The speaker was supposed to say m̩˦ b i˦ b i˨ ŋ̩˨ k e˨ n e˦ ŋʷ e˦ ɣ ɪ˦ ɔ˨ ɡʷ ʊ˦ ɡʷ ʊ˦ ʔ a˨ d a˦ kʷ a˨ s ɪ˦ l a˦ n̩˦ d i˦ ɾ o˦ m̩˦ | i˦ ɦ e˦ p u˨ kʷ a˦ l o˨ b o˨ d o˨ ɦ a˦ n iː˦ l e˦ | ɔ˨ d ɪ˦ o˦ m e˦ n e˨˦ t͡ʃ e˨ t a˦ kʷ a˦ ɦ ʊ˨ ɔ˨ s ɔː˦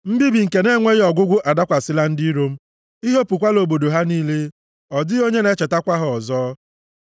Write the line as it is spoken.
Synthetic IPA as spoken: m̩˦ b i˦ b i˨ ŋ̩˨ k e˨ n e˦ ŋʷ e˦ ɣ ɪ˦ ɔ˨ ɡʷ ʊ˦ ɡʷ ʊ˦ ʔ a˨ d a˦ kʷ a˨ s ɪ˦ l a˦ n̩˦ d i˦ ɾ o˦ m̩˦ | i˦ ɦ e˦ p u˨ kʷ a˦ l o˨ b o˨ d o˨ ɦ a˦ n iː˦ l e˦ | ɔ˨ d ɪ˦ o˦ ɲ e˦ n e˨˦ t͡ʃ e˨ t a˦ kʷ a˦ ɦ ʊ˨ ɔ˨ z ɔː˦